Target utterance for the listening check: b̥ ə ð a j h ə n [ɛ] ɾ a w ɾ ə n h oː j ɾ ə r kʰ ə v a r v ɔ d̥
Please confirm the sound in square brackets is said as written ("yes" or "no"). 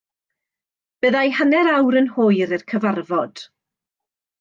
yes